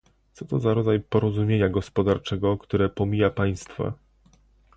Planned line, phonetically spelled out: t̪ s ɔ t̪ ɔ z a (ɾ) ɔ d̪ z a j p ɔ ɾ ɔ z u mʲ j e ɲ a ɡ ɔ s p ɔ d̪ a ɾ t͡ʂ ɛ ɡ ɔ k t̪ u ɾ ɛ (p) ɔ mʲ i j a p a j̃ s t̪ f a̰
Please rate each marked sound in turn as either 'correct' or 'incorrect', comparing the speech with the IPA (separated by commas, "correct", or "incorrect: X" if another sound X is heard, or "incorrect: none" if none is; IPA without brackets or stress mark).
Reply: correct, correct